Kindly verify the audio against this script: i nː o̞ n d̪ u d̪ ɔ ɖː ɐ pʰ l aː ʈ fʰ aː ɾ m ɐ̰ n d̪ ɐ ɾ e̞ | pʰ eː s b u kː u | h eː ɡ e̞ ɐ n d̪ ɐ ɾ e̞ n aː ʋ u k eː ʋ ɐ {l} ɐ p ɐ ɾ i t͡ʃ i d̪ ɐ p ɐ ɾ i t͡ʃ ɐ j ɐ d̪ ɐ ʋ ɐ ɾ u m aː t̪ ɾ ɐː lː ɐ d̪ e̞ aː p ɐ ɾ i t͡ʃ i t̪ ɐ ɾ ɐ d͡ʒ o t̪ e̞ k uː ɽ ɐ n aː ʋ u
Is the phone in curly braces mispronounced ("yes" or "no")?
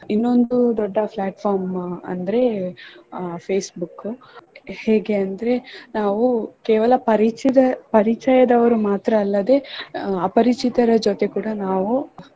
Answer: no